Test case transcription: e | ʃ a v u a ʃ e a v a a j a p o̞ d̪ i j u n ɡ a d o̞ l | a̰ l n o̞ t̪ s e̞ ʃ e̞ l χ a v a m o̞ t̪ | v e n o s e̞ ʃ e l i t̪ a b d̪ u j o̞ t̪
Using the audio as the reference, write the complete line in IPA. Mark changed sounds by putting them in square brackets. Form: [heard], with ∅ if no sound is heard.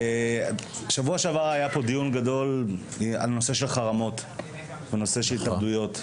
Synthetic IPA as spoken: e | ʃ a v u a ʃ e a v a a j a p o̞ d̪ i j u n ɡ a d o̞ l | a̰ l n o̞ [∅] s e̞ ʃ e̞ l χ a [ʁ] a m o̞ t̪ | v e n o s e̞ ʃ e l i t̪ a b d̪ u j o̞ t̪